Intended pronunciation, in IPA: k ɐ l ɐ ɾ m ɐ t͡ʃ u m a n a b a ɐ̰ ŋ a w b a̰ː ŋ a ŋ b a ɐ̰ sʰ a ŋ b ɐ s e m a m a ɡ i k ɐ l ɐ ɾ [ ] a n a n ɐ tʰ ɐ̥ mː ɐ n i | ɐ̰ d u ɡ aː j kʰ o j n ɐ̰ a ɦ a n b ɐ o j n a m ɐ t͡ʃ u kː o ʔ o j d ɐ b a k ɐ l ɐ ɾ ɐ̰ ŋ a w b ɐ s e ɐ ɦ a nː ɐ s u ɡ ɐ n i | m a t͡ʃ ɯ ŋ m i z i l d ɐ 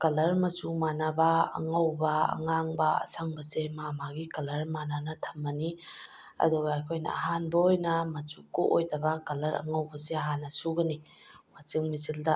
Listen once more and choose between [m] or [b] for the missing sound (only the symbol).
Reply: m